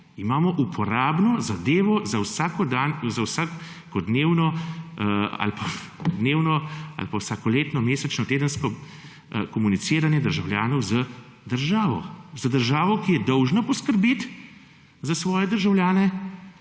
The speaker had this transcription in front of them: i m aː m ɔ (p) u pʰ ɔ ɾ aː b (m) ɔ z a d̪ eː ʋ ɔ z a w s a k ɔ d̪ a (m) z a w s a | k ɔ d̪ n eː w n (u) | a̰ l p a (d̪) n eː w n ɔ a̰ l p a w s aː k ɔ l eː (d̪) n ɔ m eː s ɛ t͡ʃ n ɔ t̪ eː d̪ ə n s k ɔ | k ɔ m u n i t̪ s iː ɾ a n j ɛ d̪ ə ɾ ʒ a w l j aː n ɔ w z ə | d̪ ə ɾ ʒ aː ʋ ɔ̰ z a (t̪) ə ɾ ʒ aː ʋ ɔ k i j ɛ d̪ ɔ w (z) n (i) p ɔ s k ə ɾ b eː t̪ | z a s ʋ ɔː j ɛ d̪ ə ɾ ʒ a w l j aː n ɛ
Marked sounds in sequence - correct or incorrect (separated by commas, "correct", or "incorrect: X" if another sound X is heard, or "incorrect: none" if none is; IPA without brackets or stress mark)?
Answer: incorrect: ʔ, incorrect: n, incorrect: n, incorrect: ɔ, correct, incorrect: t̪, incorrect: d̪, incorrect: ʒ, incorrect: a